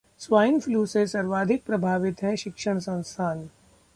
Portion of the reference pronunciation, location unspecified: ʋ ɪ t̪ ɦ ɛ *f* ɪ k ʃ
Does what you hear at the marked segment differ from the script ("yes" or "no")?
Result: yes